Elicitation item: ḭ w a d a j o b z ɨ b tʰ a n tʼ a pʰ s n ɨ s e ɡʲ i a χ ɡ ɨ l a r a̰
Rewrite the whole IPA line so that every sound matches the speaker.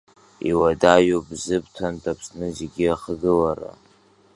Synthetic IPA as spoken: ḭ w a d a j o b z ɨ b tʰ a n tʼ a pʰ s n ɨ z e ɡʲ i a χ ɡ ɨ l a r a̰

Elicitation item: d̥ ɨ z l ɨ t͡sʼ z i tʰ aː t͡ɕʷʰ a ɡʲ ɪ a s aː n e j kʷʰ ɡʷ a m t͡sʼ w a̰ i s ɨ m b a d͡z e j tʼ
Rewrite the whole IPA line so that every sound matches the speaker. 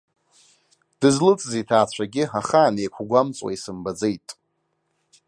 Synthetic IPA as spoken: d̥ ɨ z l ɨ t͡sʼ z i tʰ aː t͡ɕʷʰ a ɡʲ ɪ a χ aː n e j kʷʰ ɡʷ a m t͡sʼ w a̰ i s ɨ m b a d͡z e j tʼ

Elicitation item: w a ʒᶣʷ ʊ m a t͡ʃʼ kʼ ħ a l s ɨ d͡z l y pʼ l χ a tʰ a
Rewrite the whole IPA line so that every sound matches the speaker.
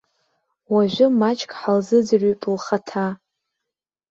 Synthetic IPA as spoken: w a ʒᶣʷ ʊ m a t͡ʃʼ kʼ ħ a l z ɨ d͡z r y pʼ l χ a tʰ a

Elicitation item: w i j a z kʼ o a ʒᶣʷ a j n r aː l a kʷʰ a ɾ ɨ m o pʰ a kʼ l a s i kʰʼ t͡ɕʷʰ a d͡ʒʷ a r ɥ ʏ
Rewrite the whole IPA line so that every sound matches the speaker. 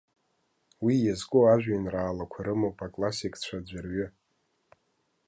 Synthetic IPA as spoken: w i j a z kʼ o a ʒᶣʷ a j n r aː l a kʷʰ a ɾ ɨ m o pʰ a kʼ l a s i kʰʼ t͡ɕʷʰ a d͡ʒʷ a r ɥ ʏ

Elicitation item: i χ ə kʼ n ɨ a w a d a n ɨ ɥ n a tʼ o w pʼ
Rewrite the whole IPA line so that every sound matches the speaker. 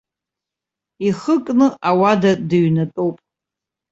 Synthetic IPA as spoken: i χ ə kʼ n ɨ a w a d a d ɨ ɥ n a tʼ o w pʼ

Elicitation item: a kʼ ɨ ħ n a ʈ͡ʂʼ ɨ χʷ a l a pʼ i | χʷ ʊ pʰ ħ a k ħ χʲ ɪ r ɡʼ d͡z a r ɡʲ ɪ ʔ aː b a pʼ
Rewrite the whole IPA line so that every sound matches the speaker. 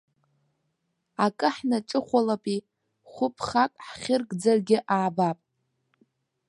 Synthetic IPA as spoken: a kʼ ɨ ħ n a ʈ͡ʂʼ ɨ χʷ a l a pʼ i | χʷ ʊ pʰ χ a kʼ ħ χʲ ɪ r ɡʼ d͡z a r ɡʲ ɪ ʔ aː b a pʼ

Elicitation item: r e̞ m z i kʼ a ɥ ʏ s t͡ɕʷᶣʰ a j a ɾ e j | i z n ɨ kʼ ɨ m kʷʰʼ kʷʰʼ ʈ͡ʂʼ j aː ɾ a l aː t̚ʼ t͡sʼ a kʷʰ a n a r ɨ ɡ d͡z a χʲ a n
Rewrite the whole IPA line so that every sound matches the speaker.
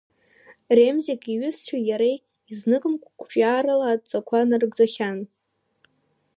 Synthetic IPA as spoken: r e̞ m z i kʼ i ɥ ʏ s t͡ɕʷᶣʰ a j a ɾ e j | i z n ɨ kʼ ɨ m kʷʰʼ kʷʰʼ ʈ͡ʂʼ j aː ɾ a l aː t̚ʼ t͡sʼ a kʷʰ a n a r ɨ ɡ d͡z a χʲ a n

